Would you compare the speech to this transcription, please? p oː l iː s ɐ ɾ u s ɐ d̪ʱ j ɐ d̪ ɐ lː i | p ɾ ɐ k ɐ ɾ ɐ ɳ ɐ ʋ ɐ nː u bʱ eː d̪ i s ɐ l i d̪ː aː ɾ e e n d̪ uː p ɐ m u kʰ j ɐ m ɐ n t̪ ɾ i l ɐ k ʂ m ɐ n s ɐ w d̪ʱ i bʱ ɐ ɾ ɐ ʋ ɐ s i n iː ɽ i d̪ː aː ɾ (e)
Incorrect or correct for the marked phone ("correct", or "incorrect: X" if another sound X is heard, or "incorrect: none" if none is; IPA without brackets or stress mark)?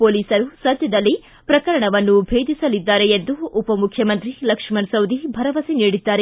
correct